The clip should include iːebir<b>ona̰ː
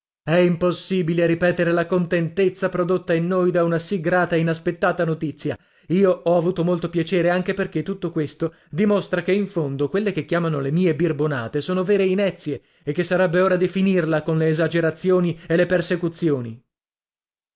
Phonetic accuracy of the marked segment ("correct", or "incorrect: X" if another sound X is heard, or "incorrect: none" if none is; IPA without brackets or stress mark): correct